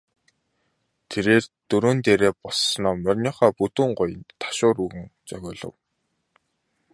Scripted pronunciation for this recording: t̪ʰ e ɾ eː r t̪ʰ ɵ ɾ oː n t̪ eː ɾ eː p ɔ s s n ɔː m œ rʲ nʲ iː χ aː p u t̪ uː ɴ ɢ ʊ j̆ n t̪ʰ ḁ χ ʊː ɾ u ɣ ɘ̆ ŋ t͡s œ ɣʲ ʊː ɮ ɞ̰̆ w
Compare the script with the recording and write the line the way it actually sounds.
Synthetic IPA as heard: t̪ʰ e ɾ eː r t̪ ɵ ɾ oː n t̪ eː ɾ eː p ɔ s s n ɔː m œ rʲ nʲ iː χ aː p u t̪ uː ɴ ɢ ʊ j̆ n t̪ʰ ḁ ʃ ʊː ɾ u ɣ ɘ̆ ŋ t͡s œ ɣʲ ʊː ɮ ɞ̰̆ w